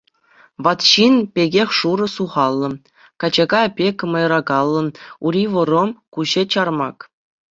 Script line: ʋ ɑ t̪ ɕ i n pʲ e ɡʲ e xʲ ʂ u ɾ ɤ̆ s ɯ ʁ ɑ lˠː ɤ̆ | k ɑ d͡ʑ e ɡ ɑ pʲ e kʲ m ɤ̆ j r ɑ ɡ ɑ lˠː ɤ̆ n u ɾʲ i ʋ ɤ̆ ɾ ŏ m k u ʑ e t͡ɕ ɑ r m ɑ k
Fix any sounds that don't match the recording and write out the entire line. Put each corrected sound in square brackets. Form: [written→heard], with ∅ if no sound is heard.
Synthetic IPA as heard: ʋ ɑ t̪ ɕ i n pʲ e ɡʲ e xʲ ʂ u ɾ ɤ̆ s [ɯ→u] ʁ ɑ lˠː ɤ̆ | k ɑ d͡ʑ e ɡ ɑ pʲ e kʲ m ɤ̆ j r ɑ ɡ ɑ lˠː ɤ̆ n u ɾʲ i ʋ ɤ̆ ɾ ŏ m k u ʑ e t͡ɕ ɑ r m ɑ k